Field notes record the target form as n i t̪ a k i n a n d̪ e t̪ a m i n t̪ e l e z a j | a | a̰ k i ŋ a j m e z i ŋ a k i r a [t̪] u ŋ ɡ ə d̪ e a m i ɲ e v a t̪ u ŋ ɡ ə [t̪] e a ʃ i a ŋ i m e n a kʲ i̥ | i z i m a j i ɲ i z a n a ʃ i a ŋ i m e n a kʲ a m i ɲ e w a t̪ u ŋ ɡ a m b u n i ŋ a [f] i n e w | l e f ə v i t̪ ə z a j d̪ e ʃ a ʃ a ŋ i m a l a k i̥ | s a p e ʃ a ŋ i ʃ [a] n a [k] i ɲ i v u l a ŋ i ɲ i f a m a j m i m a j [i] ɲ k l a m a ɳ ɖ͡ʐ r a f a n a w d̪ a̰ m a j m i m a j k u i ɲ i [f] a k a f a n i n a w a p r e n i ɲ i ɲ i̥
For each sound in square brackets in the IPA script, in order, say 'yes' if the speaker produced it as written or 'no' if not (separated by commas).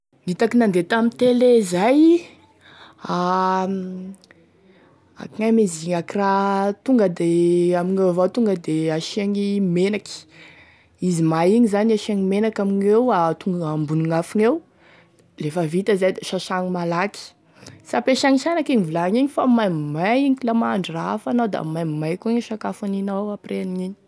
yes, no, yes, yes, yes, yes, no